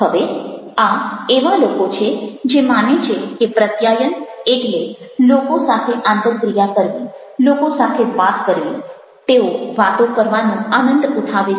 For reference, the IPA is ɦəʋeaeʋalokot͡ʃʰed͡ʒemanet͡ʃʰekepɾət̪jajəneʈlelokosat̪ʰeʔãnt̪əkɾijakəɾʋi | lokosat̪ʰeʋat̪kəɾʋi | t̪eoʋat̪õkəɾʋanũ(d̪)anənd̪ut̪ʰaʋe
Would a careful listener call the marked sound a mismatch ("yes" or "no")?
yes